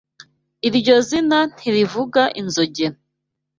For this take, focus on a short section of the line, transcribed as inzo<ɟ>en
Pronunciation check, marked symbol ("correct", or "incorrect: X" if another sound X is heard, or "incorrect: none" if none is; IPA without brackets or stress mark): correct